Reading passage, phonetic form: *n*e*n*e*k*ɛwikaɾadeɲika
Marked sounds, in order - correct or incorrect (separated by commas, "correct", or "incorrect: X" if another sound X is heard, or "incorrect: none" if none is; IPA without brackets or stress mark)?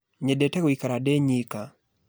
incorrect: ɲ, incorrect: d, incorrect: t